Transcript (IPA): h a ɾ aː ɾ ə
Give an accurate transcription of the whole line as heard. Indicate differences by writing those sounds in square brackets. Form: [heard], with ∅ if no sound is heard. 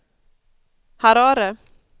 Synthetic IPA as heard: h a ɾ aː ɾ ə